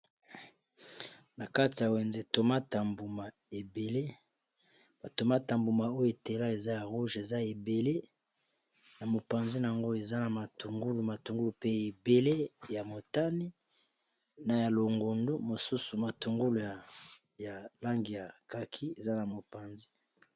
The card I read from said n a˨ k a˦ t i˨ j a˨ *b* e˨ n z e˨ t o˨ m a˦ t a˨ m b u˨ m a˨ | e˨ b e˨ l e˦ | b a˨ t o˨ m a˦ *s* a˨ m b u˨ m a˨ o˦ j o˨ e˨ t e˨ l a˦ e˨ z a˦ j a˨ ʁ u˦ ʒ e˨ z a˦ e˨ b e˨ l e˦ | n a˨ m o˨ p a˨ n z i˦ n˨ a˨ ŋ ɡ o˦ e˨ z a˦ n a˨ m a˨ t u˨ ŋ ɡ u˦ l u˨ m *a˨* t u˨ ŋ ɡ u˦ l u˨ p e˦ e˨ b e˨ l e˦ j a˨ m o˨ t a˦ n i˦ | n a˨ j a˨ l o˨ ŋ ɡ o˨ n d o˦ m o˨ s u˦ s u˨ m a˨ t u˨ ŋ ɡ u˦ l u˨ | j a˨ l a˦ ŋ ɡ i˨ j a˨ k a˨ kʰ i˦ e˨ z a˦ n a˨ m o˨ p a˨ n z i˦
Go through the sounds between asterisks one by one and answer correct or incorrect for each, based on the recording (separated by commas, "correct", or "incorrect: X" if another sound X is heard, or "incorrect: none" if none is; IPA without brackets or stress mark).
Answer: incorrect: w, incorrect: t, correct